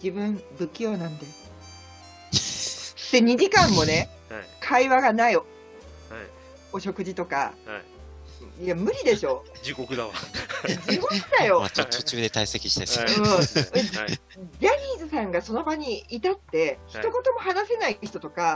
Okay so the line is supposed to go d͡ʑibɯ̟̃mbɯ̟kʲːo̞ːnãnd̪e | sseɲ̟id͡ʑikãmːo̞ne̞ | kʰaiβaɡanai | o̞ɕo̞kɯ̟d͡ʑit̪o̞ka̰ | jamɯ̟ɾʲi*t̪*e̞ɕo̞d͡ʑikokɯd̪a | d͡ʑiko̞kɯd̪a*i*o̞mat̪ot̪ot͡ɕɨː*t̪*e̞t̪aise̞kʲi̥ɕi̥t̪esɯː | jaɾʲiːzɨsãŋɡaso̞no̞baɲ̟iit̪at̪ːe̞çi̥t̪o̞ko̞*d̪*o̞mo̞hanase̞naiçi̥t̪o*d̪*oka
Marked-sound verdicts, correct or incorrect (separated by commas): incorrect, incorrect, incorrect, incorrect, incorrect